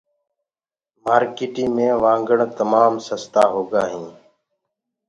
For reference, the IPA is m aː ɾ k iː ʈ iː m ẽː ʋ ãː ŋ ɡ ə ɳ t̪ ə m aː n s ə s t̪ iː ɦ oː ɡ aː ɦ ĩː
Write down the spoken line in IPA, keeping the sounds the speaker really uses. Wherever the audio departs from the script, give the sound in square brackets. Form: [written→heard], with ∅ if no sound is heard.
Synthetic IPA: m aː ɾ k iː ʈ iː m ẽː ʋ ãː ŋ ɡ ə ɳ t̪ ə m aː [n→m] s ə s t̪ [iː→aː] ɦ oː ɡ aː ɦ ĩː